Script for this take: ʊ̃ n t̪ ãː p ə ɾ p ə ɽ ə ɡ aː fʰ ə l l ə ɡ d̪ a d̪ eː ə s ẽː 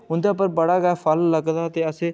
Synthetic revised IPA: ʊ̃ n d̪ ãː p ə ɾ b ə ɽ a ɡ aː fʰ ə l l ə ɡ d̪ a t̪ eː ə s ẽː